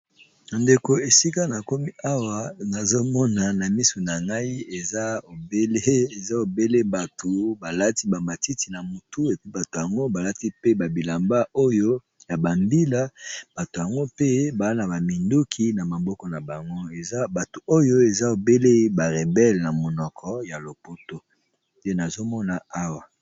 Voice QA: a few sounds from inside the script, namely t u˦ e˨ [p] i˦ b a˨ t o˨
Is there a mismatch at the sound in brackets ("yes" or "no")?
no